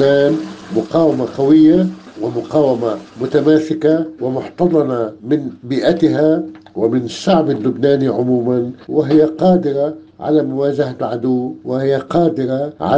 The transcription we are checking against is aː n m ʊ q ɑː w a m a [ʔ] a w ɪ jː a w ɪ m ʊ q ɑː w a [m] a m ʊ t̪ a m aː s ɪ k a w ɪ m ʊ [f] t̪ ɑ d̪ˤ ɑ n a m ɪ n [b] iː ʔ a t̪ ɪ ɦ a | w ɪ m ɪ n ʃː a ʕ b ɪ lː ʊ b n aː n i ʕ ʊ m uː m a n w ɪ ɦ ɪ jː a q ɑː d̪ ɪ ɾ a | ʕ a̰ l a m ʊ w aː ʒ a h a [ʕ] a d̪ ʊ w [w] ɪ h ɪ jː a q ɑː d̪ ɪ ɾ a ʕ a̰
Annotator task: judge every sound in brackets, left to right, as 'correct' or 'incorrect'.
incorrect: q, correct, incorrect: ħ, correct, correct, correct

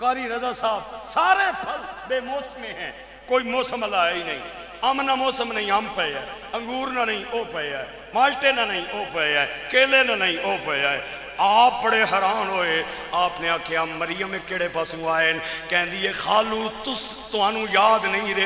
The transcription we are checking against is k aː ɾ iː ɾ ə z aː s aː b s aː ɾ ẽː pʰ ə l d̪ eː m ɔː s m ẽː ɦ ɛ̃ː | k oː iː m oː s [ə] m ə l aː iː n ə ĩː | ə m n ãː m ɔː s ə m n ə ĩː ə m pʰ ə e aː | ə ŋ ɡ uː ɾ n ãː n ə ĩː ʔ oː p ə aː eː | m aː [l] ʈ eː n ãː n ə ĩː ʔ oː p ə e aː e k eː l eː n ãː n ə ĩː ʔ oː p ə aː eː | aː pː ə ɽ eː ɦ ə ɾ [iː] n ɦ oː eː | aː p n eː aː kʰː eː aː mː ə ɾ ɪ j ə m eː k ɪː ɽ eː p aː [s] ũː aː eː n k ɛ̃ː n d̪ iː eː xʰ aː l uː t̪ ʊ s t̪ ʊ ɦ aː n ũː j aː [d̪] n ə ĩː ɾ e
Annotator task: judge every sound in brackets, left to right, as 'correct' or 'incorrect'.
correct, correct, incorrect: aː, correct, correct

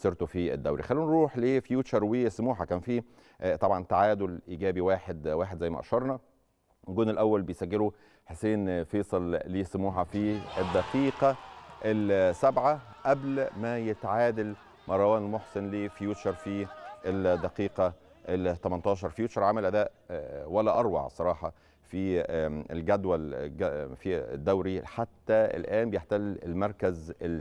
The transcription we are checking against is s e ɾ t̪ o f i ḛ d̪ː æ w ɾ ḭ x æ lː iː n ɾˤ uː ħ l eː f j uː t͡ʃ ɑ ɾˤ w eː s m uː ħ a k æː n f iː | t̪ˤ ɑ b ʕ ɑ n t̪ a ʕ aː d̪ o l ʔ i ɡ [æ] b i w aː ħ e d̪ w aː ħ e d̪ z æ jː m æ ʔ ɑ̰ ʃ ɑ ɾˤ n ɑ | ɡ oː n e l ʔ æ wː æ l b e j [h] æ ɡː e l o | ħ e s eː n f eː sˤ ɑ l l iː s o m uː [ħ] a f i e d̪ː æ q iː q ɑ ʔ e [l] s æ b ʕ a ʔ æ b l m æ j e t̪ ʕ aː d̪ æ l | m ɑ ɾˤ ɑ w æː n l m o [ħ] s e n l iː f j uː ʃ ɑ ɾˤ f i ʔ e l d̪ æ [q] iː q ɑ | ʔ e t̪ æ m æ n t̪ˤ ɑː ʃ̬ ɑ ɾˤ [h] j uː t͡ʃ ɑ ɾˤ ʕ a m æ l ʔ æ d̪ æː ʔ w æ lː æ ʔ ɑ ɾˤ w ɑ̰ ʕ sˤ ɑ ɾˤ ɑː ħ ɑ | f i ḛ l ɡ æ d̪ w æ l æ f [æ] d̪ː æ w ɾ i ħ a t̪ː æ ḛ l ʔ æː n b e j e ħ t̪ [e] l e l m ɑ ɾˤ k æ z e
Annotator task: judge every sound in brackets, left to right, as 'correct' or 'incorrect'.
incorrect: æː, incorrect: s, correct, correct, correct, correct, incorrect: f, incorrect: i, incorrect: æ

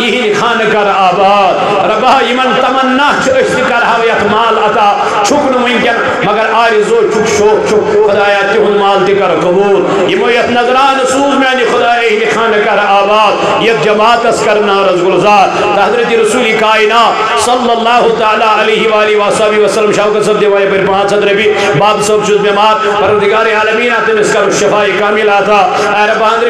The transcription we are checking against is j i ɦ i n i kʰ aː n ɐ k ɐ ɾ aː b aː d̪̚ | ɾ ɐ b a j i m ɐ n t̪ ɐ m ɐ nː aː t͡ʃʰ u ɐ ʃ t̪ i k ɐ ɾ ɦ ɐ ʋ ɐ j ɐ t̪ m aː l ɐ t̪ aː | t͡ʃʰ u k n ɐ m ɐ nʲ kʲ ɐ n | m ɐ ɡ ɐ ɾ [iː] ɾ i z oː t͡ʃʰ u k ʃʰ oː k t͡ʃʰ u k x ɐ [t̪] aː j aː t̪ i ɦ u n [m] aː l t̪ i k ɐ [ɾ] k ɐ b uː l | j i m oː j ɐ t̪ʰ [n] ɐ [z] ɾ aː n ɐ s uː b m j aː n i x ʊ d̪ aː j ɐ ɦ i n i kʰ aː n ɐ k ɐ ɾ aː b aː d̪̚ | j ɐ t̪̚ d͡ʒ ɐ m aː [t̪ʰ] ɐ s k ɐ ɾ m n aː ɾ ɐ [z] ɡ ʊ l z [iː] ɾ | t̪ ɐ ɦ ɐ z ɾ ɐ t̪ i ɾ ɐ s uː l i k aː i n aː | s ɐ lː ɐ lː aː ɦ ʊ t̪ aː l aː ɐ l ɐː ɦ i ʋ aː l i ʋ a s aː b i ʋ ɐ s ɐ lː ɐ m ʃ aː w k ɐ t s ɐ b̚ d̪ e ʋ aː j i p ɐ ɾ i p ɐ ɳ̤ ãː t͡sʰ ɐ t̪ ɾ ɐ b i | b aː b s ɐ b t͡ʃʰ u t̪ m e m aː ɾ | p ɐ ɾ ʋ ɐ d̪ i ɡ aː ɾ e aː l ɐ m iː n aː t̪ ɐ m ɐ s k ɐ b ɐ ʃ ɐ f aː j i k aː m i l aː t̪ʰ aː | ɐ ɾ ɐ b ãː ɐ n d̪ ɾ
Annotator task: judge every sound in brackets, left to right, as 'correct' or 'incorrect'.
incorrect: aː, incorrect: d̪, correct, correct, correct, correct, incorrect: t̪, correct, incorrect: aː

